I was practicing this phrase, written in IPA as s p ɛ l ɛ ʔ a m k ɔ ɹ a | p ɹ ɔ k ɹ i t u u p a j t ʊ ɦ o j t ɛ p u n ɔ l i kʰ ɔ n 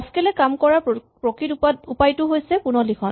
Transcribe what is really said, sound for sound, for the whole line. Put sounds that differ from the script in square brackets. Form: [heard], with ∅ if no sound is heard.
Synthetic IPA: s [k] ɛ l ɛ [k] a m k ɔ ɹ a | p ɹ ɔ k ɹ i t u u p a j t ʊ ɦ o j [s] ɛ p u n ɔ l i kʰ ɔ n